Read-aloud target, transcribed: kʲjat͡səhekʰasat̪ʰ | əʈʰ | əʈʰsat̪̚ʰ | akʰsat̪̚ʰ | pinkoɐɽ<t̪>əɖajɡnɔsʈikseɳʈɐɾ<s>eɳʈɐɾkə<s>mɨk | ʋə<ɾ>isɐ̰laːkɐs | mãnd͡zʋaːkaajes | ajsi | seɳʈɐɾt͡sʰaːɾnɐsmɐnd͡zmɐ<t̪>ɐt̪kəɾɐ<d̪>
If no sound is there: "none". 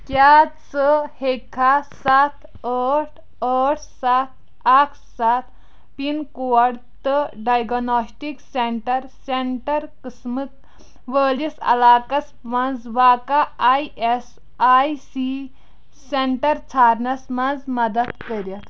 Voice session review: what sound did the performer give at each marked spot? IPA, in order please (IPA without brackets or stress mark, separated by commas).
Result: t̪, s, s, l, d̪, t̪